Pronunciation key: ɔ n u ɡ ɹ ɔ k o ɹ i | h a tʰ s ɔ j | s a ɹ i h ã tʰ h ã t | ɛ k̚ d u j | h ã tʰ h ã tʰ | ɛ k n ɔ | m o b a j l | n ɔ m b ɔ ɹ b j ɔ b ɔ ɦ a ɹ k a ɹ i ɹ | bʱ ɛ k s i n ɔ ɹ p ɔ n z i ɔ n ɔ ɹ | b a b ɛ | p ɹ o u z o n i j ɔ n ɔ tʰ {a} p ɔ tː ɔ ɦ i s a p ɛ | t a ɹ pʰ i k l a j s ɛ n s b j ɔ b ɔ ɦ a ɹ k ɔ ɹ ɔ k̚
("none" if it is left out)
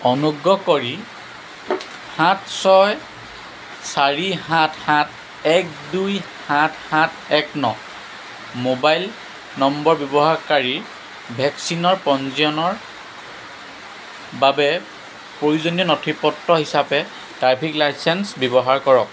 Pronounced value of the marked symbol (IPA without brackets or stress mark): i